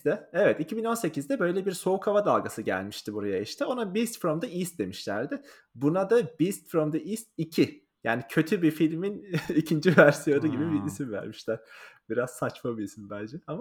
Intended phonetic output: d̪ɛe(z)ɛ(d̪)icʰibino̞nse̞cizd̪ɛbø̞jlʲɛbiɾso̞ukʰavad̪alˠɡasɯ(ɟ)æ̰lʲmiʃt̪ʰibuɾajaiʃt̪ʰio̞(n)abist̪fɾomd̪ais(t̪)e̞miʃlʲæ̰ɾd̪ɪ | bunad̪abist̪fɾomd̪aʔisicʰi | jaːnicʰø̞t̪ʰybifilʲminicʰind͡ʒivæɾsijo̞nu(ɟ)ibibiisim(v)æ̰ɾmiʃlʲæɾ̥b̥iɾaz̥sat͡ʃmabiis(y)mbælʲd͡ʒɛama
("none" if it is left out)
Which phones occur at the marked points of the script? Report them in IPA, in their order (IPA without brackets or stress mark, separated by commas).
v, t̪, ɟ, n, d̪, ɟ, v, i